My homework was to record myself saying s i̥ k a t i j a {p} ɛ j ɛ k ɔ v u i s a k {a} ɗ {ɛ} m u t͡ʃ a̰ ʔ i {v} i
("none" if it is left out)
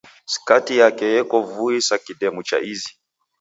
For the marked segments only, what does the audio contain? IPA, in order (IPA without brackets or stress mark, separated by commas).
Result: k, i, ɛ, z